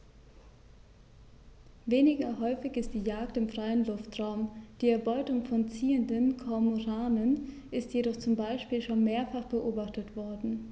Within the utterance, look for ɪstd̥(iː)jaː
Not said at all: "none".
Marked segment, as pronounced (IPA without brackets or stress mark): iː